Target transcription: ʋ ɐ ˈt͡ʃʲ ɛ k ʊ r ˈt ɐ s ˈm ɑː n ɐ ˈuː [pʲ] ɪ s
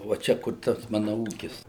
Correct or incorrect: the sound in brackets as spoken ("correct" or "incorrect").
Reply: incorrect